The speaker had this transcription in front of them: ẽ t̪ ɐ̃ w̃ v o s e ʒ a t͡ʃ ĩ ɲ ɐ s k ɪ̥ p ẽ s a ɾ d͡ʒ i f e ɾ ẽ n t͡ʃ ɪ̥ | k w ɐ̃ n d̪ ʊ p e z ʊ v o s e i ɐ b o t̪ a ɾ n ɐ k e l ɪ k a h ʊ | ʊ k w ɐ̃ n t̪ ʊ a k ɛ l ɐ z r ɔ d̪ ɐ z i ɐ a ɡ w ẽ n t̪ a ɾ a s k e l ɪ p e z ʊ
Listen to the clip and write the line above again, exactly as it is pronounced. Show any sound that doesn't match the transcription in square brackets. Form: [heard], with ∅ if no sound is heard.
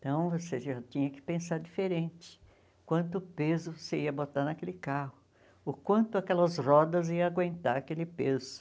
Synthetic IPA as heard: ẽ t̪ ɐ̃ w̃ v o s e ʒ a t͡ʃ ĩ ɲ ɐ [∅] k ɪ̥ p ẽ s a ɾ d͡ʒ i f e ɾ ẽ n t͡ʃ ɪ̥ | k w ɐ̃ n [t̪] ʊ p e z ʊ v o s e i ɐ b o t̪ a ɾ n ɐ k e l ɪ k a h ʊ | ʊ k w ɐ̃ n t̪ ʊ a k ɛ l ɐ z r ɔ d̪ ɐ z i ɐ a ɡ w ẽ n t̪ a ɾ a [∅] k e l ɪ p e z ʊ